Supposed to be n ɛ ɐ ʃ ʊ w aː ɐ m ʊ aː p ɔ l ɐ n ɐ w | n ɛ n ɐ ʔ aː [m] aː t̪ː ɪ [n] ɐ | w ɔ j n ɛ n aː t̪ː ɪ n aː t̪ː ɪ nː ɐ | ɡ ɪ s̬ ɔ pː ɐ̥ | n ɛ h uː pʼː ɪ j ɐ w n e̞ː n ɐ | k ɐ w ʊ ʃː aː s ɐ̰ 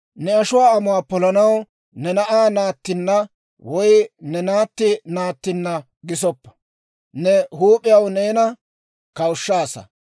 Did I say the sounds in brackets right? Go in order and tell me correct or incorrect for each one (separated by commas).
incorrect, incorrect